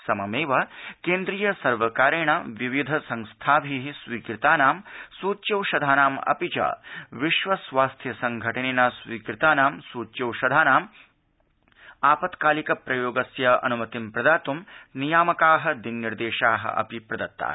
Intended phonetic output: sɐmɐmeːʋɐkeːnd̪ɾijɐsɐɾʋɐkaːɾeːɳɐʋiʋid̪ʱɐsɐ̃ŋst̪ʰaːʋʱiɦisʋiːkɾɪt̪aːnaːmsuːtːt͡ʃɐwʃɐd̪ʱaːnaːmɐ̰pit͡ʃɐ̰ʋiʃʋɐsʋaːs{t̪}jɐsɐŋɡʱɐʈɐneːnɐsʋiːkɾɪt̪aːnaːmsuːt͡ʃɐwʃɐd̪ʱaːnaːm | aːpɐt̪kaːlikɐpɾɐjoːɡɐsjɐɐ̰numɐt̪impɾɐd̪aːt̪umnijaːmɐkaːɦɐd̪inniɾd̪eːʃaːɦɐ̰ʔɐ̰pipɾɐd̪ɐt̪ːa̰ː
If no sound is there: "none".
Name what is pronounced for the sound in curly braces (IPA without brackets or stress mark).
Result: t̪ʰ